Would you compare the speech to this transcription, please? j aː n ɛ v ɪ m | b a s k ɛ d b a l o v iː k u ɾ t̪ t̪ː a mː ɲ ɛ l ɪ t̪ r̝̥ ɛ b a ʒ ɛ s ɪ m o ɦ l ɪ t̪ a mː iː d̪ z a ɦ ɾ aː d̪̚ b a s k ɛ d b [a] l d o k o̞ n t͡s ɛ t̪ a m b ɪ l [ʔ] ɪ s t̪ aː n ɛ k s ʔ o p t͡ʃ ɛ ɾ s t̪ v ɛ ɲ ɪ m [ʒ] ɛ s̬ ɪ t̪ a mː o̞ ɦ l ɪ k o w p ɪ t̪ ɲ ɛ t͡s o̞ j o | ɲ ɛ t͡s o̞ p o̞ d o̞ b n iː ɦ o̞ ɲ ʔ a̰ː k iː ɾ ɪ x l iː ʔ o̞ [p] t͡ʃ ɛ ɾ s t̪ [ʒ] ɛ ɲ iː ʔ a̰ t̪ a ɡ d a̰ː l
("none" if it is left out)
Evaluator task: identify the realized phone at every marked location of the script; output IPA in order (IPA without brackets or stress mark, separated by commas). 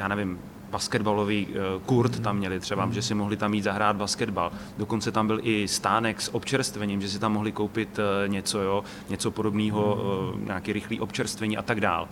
a, ʔ, ʒ, p, v